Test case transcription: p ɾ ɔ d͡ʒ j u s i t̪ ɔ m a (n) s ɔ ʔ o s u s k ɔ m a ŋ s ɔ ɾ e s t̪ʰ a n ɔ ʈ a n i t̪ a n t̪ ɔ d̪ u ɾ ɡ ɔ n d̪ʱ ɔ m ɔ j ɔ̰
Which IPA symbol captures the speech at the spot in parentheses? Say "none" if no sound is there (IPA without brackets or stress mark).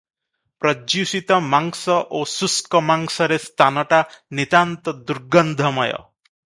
ŋ